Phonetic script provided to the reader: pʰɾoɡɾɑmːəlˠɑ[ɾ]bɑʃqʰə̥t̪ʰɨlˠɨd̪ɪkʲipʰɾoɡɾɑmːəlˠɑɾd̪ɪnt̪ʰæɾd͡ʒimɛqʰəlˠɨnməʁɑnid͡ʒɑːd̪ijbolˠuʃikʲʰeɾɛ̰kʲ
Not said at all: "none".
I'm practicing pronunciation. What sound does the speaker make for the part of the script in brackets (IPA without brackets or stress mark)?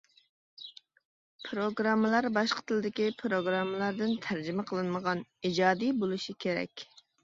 ɾ